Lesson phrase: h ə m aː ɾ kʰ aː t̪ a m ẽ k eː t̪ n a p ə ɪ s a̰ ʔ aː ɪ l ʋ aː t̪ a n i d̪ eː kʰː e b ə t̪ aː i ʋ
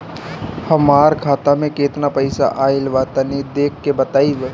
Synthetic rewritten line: h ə m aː ɾ kʰ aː t̪ a m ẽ k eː t̪ n a p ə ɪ s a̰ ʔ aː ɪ l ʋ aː t̪ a n i d̪ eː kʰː e b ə t̪ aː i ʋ